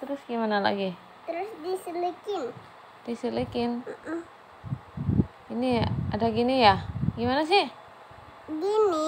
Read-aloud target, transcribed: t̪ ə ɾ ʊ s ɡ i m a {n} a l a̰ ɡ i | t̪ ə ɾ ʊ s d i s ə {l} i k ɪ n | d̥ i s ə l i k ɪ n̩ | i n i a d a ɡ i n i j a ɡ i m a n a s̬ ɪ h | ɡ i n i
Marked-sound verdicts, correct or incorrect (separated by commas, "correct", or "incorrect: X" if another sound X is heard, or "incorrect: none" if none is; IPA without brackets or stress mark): correct, correct